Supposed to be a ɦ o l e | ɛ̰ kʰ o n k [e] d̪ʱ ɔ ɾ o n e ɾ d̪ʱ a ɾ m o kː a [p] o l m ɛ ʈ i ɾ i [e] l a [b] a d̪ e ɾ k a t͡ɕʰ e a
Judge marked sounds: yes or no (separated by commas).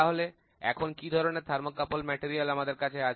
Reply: no, yes, no, no